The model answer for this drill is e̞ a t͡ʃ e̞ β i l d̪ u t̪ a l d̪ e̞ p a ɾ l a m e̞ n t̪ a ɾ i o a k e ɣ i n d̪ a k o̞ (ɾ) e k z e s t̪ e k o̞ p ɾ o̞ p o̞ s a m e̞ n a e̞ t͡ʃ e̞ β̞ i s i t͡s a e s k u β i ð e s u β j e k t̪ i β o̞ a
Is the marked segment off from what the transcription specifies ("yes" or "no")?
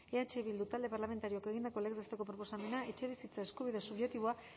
yes